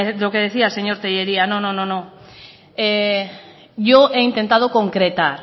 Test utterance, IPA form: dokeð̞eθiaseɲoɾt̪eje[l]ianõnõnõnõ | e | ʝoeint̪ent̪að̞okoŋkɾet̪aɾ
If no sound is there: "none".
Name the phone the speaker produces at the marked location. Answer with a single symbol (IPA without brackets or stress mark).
ɾ